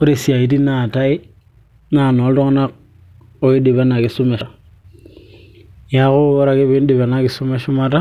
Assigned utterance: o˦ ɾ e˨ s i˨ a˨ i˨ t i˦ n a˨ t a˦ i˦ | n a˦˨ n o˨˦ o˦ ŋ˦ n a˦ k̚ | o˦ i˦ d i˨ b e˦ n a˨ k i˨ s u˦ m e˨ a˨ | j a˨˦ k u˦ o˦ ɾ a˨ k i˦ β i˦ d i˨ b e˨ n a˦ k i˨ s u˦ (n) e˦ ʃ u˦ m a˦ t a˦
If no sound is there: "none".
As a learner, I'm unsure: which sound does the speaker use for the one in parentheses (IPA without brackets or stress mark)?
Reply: m